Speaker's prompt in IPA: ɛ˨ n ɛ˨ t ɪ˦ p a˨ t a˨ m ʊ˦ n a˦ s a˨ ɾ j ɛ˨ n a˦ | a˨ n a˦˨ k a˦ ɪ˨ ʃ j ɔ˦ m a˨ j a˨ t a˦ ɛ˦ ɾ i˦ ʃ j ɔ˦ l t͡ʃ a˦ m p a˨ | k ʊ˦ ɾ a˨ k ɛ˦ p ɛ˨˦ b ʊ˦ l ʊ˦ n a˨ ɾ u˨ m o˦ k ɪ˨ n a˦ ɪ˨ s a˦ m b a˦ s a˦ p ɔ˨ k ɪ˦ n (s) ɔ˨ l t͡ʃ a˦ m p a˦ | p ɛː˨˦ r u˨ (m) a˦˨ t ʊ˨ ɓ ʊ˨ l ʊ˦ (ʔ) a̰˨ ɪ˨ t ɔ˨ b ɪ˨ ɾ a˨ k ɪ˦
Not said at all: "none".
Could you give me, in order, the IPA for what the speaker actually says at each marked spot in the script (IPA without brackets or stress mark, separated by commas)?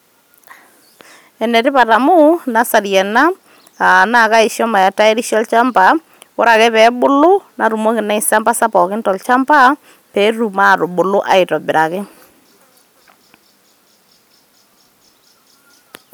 t, m, ʔ